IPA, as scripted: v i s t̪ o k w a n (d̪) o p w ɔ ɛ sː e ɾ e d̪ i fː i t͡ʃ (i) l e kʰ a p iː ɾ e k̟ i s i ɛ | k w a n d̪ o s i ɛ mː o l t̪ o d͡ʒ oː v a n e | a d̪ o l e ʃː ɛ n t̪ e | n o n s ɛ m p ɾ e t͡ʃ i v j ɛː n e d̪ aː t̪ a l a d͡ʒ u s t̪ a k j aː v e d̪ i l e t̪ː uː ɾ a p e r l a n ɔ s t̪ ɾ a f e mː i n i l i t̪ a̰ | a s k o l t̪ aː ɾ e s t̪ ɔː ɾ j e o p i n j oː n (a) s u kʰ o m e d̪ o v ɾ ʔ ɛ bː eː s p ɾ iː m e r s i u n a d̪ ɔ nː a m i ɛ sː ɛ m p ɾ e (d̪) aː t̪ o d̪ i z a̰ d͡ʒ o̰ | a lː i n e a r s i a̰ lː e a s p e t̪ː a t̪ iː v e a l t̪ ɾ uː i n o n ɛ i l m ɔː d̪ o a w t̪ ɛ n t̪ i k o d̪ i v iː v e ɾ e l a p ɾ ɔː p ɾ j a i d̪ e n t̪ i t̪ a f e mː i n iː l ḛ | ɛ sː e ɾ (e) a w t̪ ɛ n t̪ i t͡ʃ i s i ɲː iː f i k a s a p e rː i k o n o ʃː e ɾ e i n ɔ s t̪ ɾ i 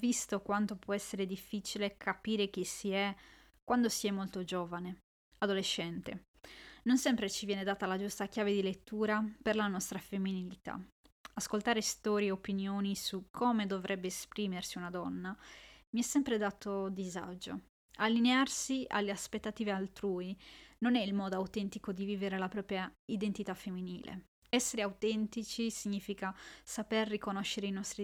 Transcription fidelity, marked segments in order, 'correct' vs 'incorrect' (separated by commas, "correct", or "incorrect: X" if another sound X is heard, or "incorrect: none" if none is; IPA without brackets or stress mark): incorrect: t̪, correct, incorrect: i, correct, correct